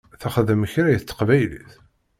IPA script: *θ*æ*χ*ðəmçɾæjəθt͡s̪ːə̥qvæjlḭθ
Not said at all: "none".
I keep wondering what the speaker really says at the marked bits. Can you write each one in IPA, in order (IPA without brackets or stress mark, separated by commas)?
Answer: θ, χ